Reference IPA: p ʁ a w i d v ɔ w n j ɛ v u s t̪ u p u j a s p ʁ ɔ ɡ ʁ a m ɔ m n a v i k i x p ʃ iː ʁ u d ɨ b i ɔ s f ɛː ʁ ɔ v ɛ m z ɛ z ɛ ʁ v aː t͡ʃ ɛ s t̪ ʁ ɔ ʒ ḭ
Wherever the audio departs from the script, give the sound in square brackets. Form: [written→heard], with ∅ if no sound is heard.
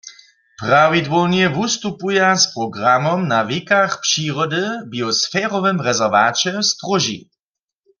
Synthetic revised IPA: p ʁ a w i d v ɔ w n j ɛ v u s t̪ u p u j a s p ʁ ɔ ɡ ʁ a m ɔ m n a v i k [i→a] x p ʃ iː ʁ [u→ɔ] d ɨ b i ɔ s f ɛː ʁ ɔ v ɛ m [z→ʁ] ɛ z ɛ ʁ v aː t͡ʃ ɛ s t̪ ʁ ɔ ʒ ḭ